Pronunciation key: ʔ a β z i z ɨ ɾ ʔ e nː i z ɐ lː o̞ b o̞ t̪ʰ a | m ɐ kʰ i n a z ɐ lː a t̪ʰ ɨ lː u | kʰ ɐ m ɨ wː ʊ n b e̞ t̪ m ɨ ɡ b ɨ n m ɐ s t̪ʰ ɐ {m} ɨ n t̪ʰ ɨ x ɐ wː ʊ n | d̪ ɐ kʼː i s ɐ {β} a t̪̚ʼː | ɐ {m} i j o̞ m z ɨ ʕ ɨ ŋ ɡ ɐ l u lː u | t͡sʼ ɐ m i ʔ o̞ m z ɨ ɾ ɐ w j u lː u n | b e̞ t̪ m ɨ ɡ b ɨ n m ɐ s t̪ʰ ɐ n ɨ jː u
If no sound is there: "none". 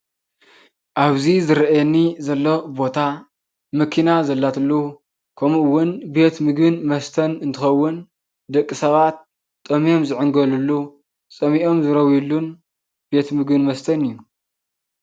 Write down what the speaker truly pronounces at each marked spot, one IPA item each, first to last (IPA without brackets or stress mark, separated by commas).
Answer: n, β, m